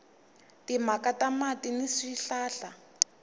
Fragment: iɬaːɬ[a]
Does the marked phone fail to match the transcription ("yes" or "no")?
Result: no